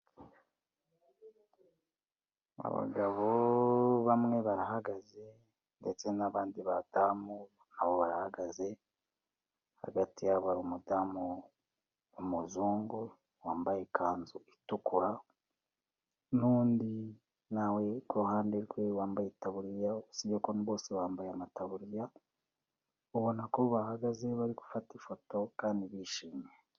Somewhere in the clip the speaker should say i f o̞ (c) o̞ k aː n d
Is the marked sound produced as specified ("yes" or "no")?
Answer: no